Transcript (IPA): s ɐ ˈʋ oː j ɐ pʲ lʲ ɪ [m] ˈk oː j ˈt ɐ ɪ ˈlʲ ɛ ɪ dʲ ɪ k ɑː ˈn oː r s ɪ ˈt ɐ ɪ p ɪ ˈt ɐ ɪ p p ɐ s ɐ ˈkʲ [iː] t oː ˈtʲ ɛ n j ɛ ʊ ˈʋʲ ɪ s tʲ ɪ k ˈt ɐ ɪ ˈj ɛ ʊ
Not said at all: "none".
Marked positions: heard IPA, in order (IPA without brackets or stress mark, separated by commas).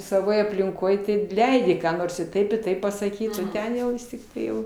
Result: ŋ, iː